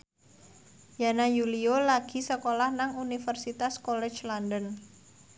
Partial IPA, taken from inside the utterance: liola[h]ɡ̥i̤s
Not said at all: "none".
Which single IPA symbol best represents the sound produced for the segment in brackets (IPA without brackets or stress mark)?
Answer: none